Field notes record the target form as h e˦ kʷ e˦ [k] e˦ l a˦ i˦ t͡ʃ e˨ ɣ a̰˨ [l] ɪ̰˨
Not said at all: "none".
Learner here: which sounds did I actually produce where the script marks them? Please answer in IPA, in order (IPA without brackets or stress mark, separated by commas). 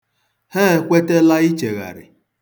t, ɾ